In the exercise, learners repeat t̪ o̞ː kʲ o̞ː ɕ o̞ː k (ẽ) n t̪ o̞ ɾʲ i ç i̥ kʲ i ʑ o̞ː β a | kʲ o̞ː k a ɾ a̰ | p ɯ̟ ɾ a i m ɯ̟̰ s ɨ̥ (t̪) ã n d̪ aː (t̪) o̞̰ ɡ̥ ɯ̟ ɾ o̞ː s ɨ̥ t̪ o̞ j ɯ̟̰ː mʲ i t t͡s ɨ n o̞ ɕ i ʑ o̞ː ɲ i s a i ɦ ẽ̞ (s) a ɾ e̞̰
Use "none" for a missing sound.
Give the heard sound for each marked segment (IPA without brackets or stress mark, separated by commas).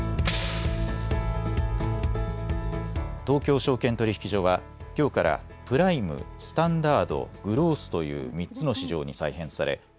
ẽ, t̪, d̪, s